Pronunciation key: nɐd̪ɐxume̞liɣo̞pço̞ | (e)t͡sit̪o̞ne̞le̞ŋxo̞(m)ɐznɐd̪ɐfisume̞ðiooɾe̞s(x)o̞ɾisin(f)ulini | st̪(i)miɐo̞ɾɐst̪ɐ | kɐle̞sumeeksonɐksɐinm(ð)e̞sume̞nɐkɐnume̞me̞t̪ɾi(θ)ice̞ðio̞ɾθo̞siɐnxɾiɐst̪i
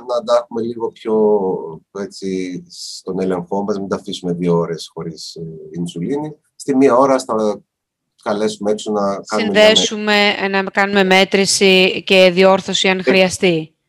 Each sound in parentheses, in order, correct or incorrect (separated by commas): correct, correct, correct, incorrect, correct, correct, incorrect